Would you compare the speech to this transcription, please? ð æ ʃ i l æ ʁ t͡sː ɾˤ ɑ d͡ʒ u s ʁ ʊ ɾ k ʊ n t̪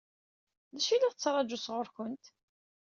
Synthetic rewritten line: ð æ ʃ i l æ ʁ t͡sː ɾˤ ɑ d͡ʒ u s ʁ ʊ ɾ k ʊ n t̪